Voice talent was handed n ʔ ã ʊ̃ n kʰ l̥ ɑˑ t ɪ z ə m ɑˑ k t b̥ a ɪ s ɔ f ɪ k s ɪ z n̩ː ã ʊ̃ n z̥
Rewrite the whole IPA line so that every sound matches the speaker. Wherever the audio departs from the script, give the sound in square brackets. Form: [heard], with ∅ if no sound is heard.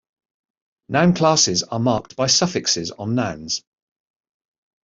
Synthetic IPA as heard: n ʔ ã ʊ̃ n kʰ l̥ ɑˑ [s] ɪ z ə m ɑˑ k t b̥ a ɪ s [ʌ] f ɪ k s ɪ z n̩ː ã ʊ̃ n z̥